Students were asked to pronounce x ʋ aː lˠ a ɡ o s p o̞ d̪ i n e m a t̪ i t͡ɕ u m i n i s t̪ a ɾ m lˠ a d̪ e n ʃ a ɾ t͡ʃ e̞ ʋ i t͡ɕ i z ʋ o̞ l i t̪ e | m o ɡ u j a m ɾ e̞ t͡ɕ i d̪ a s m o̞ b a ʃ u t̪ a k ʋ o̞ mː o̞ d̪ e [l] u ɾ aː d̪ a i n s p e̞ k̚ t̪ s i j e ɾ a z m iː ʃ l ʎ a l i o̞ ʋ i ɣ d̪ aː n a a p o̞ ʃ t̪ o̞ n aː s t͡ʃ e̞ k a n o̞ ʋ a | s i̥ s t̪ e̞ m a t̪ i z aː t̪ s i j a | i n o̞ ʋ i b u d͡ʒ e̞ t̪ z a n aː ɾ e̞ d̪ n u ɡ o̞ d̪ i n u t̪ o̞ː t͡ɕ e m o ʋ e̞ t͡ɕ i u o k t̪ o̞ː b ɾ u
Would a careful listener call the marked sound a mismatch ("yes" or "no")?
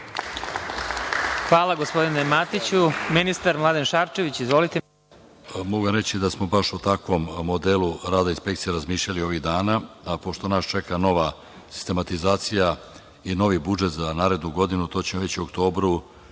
no